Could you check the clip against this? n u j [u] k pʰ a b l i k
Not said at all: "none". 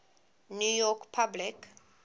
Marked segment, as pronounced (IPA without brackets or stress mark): ɔ